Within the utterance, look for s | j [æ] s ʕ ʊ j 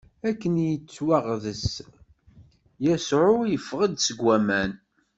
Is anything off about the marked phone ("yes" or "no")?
no